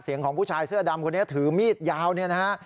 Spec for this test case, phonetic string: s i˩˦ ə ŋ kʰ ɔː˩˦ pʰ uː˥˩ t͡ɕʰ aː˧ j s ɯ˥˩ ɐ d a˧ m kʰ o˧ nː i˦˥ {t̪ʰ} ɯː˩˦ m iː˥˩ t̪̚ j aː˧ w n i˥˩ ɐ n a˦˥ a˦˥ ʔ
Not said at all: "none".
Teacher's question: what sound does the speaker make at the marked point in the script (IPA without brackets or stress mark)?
t̪ʰ